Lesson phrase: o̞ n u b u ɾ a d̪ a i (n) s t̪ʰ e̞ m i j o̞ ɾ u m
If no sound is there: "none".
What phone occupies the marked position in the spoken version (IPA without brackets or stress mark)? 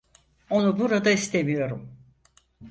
none